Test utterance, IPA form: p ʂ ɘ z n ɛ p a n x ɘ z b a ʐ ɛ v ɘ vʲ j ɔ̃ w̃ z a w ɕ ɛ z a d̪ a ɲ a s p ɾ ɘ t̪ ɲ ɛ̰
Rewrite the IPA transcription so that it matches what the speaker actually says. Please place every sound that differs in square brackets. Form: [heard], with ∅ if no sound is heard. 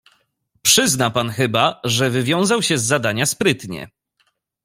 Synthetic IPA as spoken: p ʂ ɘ z n [a] p a n x ɘ [∅] b a ʐ ɛ v ɘ vʲ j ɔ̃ w̃ z a w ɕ ɛ [zː] a d̪ a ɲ a s p ɾ ɘ t̪ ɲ ɛ̰